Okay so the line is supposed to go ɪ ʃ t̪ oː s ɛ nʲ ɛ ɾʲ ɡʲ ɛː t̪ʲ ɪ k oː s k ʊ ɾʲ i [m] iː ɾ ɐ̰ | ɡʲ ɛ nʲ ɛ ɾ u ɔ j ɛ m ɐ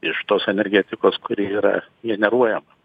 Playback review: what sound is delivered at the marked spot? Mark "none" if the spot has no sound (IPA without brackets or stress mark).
none